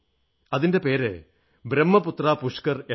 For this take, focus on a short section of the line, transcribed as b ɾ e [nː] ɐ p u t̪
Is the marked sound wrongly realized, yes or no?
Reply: yes